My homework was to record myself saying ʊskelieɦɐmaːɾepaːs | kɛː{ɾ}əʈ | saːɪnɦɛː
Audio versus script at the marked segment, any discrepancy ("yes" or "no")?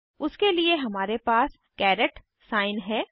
no